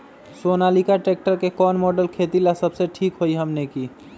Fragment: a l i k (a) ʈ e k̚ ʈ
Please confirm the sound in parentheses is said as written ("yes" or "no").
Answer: yes